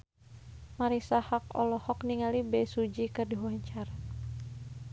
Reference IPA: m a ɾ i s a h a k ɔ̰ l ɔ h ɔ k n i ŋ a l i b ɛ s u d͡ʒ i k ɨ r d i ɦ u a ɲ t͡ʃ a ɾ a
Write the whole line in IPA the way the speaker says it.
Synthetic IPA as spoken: m a ɾ i s a h a k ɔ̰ l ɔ h ɔ k n i ŋ a l i b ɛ s u d͡ʒ i k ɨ r d i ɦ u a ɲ t͡ʃ a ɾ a